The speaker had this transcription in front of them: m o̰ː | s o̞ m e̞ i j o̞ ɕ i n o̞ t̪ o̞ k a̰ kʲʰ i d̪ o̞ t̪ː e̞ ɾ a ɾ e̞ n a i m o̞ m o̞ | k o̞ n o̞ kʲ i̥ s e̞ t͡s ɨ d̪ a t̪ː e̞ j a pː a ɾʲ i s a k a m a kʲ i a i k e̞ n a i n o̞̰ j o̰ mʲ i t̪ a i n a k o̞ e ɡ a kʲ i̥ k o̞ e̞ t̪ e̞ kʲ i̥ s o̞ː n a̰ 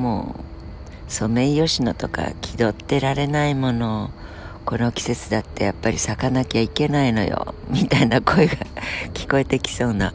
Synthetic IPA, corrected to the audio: m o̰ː | s o̞ m e̞ i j o̞ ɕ i n o̞ t̪ o̞ k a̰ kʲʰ i d̪ o̞ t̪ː e̞ ɾ a ɾ e̞ n a i m o̞ n o̞ | k o̞ n o̞ kʲ i̥ s e̞ t͡s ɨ d̪ a t̪ː e̞ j a pː a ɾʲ i s a k a n a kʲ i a i k e̞ n a i n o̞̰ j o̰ mʲ i t̪ a i n a k o̞ e ɡ a kʲ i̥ k o̞ e̞ t̪ e̞ kʲ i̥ s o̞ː n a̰